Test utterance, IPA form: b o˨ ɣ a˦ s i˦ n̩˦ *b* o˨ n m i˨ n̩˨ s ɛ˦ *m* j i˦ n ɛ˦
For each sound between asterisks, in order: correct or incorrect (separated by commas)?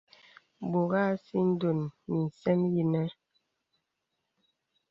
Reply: incorrect, correct